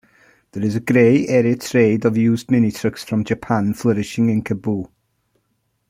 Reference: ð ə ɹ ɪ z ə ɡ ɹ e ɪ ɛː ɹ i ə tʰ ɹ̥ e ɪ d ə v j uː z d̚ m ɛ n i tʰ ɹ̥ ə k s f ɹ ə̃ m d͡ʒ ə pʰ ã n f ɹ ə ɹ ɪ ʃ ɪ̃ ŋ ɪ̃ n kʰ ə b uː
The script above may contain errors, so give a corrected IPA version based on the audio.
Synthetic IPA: ð ə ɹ ɪ z ə ɡ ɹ e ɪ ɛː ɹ i ə tʰ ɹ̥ e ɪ d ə v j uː z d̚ m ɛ n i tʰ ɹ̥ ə k s f ɹ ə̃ m d͡ʒ ə pʰ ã n f l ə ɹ ɪ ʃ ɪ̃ ŋ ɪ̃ n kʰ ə b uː